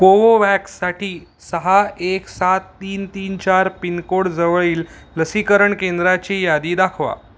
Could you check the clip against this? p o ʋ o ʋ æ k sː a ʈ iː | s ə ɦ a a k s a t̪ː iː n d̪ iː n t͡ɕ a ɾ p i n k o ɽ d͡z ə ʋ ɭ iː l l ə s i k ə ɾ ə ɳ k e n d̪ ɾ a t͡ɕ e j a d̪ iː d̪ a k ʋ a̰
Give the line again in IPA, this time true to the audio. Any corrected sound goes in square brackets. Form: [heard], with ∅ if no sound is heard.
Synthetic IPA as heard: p o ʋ o ʋ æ k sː a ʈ iː | s ə ɦ a [e] k s a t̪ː iː n [t̪] iː n t͡ɕ a ɾ p i n k o ɽ d͡z ə ʋ ɭ iː l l ə s i k ə ɾ ə ɳ k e n d̪ ɾ a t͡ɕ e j a d̪ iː d̪ a [kʰ] ʋ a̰